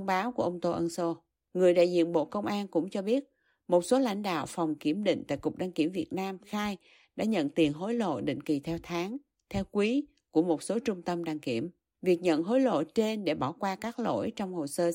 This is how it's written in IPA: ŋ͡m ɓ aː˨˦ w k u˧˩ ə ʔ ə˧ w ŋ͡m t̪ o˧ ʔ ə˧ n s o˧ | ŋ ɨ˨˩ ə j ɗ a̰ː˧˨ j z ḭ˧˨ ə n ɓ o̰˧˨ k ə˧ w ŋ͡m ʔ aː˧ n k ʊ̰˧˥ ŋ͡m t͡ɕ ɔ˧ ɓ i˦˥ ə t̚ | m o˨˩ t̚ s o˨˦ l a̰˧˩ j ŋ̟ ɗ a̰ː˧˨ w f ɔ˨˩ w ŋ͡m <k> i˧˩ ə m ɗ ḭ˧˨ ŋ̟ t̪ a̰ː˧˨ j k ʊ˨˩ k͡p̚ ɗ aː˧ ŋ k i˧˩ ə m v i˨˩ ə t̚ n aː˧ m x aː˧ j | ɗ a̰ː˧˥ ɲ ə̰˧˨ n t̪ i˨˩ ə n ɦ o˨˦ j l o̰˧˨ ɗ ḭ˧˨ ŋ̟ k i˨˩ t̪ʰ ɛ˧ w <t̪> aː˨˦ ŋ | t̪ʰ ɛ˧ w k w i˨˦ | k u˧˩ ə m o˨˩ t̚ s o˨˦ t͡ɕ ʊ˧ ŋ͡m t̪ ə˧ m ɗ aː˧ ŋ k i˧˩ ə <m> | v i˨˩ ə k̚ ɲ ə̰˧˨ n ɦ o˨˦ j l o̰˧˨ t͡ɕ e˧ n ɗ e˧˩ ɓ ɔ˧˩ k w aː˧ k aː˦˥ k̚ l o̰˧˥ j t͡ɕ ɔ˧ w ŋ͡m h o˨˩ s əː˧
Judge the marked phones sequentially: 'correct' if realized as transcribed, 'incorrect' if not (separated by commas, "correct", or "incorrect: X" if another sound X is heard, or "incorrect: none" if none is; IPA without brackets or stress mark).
correct, incorrect: t̪ʰ, correct